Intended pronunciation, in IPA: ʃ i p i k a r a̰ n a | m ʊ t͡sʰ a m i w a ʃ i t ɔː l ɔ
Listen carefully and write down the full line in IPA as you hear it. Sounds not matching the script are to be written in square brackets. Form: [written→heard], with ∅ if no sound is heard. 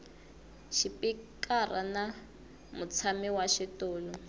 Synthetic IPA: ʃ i p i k a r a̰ n a | m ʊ t͡sʰ a m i w a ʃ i t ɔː l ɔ